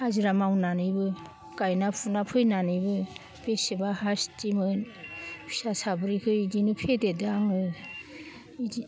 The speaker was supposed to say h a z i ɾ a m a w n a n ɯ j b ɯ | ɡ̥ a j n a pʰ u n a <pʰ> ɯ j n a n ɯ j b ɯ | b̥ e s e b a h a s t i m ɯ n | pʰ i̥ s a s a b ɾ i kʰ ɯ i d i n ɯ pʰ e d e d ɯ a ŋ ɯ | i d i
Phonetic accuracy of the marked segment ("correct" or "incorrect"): correct